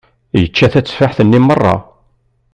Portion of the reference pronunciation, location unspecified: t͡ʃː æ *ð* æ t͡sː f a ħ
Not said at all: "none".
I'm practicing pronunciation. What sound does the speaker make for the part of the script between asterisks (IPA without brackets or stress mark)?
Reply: θ